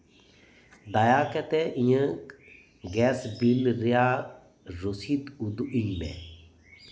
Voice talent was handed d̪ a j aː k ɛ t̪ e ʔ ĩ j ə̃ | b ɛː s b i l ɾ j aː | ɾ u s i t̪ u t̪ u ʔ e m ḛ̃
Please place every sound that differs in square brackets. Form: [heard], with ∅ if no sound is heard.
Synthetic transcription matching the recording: d̪ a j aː k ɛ t̪ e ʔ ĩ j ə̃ | [ɡ] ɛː s b i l ɾ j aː | ɾ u s i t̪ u [d̪] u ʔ [i] m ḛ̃